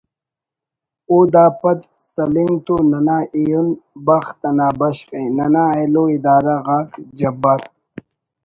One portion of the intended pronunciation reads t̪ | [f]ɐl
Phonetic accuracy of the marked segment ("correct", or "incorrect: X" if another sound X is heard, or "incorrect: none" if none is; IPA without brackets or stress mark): incorrect: s